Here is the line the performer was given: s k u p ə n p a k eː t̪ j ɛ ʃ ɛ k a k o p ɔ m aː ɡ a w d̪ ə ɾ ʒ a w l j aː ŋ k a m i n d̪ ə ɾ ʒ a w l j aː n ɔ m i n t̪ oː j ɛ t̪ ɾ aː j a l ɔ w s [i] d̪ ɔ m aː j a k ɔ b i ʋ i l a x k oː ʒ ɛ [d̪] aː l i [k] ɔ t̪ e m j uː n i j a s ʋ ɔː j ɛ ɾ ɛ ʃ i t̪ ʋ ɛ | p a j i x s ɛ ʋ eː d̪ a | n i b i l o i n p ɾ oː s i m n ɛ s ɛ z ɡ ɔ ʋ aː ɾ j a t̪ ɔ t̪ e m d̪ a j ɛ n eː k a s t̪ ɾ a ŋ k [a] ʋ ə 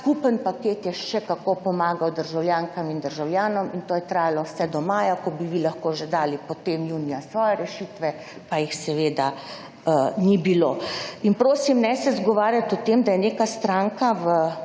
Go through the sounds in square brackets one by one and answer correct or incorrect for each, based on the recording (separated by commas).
incorrect, correct, incorrect, correct